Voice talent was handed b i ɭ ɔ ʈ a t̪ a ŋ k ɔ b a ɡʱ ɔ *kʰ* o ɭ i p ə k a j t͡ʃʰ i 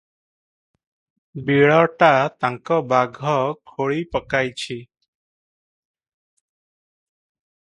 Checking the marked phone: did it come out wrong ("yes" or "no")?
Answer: no